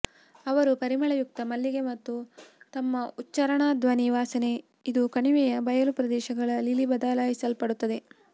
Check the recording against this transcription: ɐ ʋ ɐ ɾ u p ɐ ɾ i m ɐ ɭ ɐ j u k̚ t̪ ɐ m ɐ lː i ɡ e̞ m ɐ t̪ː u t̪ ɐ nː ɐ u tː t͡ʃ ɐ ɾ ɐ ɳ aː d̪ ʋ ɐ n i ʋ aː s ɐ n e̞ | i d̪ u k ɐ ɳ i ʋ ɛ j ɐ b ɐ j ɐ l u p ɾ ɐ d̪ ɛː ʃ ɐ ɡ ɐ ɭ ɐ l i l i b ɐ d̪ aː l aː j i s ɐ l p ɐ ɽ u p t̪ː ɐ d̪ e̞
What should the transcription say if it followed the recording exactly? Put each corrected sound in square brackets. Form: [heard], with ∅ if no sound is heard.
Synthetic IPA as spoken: ɐ ʋ ɐ ɾ u p ɐ ɾ i m ɐ ɭ ɐ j u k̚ t̪ ɐ m ɐ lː i ɡ e̞ m ɐ t̪ː u t̪ ɐ [mː] ɐ u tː t͡ʃ ɐ ɾ ɐ ɳ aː d̪ ʋ ɐ n i ʋ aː s ɐ n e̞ | i d̪ u k ɐ ɳ i ʋ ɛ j ɐ b ɐ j ɐ l u p ɾ ɐ d̪ ɛː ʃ ɐ ɡ ɐ ɭ ɐ l i l i b ɐ d̪ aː l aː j i s ɐ l p ɐ ɽ u [∅] t̪ː ɐ d̪ e̞